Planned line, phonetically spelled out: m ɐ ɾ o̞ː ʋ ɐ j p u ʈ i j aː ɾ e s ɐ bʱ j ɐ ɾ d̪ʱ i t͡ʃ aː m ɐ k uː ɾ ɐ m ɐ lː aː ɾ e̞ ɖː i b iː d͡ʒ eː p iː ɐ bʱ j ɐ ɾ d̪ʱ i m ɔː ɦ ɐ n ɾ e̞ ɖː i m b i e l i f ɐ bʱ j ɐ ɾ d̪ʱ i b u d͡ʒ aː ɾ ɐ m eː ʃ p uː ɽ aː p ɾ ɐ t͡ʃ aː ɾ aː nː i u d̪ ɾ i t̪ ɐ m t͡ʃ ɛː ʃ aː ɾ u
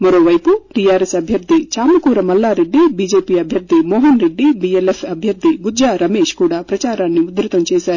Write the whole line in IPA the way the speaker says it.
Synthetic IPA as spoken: m ɐ ɾ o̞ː ʋ ɐ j p u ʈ i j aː ɾ e s ɐ bʱ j ɐ ɾ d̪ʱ i t͡ʃ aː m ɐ k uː ɾ ɐ m ɐ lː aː ɾ e̞ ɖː i b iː d͡ʒ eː p iː ɐ bʱ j ɐ ɾ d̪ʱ i m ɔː ɦ ɐ n ɾ e̞ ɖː i b i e l e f ɐ bʱ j ɐ ɾ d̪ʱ i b u d͡ʒ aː ɾ ɐ m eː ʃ k uː ɽ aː p ɾ ɐ t͡ʃ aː ɾ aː nː i u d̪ ɾ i t̪ ɐ m t͡ʃ ɛː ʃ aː ɾ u

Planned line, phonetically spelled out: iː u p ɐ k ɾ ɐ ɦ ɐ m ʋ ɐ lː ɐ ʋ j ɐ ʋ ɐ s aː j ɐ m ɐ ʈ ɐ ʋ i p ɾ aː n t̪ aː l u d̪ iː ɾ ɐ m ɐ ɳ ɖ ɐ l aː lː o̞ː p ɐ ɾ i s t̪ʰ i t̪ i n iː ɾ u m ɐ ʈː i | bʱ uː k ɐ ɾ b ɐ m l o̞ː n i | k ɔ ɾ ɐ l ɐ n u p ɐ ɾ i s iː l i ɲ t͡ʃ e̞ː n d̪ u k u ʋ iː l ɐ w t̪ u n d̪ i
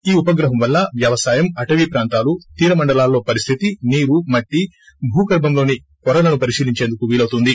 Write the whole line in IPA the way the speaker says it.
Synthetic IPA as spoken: iː u p ɐ ɡ ɾ ɐ ɦ ɐ m ʋ ɐ lː ɐ ʋ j ɐ ʋ ɐ s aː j ɐ m ɐ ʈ ɐ ʋ i p ɾ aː n t̪ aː l u t̪ iː ɾ ɐ m ɐ ɳ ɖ ɐ l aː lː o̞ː p ɐ ɾ i s t̪ʰ i t̪ i n iː ɾ u m ɐ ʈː i | bʱ uː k ɐ ɾ b ɐ m l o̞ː n i | k ɔ ɾ ɐ l ɐ n u p ɐ ɾ i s iː l i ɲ t͡ʃ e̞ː n d̪ u k u ʋ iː l ɐ w t̪ u n d̪ i

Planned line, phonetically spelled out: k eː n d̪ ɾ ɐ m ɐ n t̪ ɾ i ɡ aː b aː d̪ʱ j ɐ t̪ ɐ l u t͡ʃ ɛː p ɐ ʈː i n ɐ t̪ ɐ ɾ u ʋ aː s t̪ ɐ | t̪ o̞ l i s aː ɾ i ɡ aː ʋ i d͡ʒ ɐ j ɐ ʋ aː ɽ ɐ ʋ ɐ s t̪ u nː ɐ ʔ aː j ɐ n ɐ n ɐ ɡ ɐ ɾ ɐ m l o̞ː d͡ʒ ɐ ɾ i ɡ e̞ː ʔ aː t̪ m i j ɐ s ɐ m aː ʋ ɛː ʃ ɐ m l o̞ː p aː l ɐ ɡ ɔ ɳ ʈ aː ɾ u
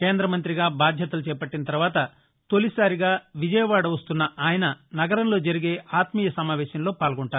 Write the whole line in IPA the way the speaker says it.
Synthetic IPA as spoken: k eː n d̪ ɾ ɐ m ɐ n t̪ ɾ i ɡ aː b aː d̪ʱ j ɐ t̪ ɐ l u t͡ʃ ɛː p ɐ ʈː i n ɐ t̪ ɐ ɾ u ʋ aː t̪ ɐ | t̪ o̞ l i s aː ɾ i ɡ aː ʋ i d͡ʒ ɐ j ɐ ʋ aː ɽ ɐ ʋ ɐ s t̪ u nː ɐ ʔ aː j ɐ n ɐ n ɐ ɡ ɐ ɾ ɐ m l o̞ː d͡ʒ ɐ ɾ i ɡ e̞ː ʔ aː t̪ m i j ɐ s ɐ m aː ʋ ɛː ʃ ɐ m l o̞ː p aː l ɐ ɡ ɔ ɳ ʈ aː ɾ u

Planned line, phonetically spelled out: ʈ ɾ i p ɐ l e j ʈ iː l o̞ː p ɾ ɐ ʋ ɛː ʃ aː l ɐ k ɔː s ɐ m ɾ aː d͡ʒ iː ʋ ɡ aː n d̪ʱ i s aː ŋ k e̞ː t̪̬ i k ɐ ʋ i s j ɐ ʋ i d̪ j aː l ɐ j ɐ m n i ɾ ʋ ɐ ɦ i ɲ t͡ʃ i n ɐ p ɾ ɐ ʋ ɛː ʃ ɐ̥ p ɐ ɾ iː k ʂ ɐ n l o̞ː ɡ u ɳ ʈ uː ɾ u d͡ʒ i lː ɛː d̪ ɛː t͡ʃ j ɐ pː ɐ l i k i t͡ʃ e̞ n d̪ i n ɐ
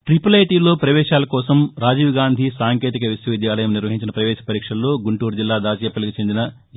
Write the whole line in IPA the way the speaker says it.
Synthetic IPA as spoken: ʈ ɾ i p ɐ l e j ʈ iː l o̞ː p ɾ ɐ ʋ ɛː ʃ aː l ɐ k ɔː s ɐ m ɾ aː d͡ʒ iː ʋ ɡ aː n d̪ʱ i s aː ŋ k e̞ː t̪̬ i k ɐ ʋ i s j ɐ ʋ i d̪ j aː l ɐ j ɐ m n i ɾ ʋ ɐ ɦ i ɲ t͡ʃ i n ɐ p ɾ ɐ ʋ ɛː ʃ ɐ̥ p ɐ ɾ iː k ʂ ɐ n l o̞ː ɡ u ɳ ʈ uː ɾ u d͡ʒ i lː aː d̪ aː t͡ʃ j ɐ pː ɐ l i k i t͡ʃ e̞ n d̪ i n ɐ

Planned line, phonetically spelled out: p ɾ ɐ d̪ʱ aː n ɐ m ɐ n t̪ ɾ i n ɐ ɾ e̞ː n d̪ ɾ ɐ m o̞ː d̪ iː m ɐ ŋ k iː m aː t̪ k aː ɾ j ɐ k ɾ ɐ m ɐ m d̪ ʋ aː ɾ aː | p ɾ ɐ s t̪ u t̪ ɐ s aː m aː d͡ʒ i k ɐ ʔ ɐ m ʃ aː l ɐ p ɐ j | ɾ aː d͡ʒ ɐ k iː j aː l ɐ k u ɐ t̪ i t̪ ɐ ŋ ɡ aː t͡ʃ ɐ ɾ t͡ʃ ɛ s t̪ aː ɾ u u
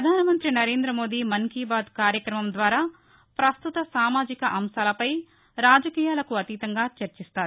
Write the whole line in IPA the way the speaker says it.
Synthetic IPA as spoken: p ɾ ɐ d̪ʱ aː n ɐ m ɐ n t̪ ɾ i n ɐ ɾ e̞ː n d̪ ɾ ɐ m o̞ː d̪ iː m ɐ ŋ k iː b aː d̪ k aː ɾ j ɐ k ɾ ɐ m ɐ m d̪ ʋ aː ɾ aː | p ɾ ɐ s t̪ u t̪ ɐ s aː m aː d͡ʒ i k ɐ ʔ ɐ m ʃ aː l ɐ p ɐ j | ɾ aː d͡ʒ ɐ k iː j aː l ɐ k u ɐ t̪ i t̪ ɐ ŋ ɡ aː t͡ʃ ɐ ɾ t͡ʃ i s t̪ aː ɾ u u

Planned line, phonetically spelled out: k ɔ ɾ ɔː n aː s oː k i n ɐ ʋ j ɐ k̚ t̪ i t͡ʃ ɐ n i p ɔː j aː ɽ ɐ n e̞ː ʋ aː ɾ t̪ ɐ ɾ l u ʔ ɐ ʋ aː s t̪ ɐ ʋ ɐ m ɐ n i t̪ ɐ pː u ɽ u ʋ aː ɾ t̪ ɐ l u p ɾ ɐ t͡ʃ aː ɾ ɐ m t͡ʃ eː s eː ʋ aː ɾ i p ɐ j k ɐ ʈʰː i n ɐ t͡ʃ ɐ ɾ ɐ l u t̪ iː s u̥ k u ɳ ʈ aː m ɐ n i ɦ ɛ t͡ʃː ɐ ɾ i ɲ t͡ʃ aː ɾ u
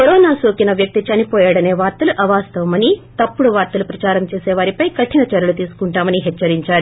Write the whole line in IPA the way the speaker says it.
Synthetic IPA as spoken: k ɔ ɾ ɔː n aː s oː k i n ɐ ʋ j ɐ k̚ t̪ i t͡ʃ ɐ n i p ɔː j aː ɽ ɐ n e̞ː ʋ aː ɾ t̪ ɐ l u ʔ ɐ ʋ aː s t̪ ɐ ʋ ɐ m ɐ n i t̪ ɐ pː u ɽ u ʋ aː ɾ t̪ ɐ l u p ɾ ɐ t͡ʃ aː ɾ ɐ m t͡ʃ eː s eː ʋ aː ɾ i p ɐ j k ɐ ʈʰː i n ɐ t͡ʃ ɐ ɾ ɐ l u t̪ iː s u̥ k u ɳ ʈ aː m ɐ n i ɦ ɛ t͡ʃː ɐ ɾ i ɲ t͡ʃ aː ɾ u

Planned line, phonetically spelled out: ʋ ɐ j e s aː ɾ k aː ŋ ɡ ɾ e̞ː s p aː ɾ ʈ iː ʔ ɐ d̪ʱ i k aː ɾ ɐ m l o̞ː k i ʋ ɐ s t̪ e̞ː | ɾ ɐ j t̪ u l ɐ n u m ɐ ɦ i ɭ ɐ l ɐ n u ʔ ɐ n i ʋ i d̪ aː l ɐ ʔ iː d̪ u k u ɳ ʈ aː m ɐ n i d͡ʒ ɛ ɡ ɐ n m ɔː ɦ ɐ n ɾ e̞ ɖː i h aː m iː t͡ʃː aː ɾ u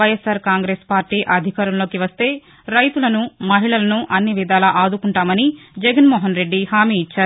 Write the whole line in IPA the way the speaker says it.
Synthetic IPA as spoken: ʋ ɐ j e s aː ɾ k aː ŋ ɡ ɾ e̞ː s p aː ɾ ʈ iː ʔ ɐ d̪ʱ i k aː ɾ ɐ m l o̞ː k i ʋ ɐ s t̪ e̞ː | ɾ ɐ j t̪ u l ɐ n u m ɐ ɦ i ɭ ɐ l ɐ n u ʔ ɐ nː i ʋ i d̪ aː l ɐ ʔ aː d̪ u k u ɳ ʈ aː m ɐ n i d͡ʒ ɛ ɡ ɐ n m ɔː ɦ ɐ n ɾ e̞ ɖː i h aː m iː t͡ʃː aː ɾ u

